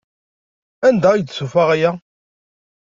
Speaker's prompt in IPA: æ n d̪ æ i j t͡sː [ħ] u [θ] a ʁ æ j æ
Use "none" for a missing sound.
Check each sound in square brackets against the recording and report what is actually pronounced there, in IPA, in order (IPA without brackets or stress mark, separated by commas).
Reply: s, f